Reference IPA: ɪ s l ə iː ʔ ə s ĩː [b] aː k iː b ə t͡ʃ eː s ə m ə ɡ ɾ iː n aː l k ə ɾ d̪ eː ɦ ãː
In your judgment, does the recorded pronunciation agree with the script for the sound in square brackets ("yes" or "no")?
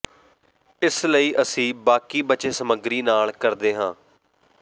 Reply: yes